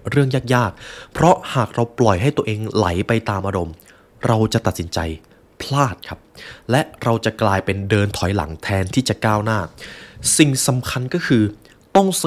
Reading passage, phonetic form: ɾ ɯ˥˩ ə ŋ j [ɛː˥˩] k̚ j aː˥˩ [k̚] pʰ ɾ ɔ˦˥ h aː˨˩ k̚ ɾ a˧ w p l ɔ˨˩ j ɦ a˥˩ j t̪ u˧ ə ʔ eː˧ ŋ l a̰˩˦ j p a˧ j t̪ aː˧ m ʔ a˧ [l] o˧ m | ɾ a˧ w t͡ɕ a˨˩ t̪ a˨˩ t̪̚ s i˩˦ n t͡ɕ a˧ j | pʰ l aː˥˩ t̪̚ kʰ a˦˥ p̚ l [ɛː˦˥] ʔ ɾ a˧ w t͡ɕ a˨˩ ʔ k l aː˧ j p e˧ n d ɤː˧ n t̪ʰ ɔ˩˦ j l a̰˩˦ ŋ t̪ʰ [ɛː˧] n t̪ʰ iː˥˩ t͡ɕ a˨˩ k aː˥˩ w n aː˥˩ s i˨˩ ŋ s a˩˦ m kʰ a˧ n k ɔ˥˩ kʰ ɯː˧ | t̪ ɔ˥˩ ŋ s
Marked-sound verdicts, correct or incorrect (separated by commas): incorrect, correct, incorrect, incorrect, correct